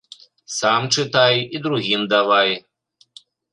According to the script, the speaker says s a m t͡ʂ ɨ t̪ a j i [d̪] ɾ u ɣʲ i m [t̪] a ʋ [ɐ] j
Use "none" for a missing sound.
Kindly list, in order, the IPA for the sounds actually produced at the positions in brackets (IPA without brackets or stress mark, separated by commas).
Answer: d̪, d̪, a